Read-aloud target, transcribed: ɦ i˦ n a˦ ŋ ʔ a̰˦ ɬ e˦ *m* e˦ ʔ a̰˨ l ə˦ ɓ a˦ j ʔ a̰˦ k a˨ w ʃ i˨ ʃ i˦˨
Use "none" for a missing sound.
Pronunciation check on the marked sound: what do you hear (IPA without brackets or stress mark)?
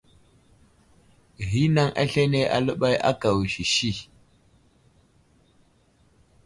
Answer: n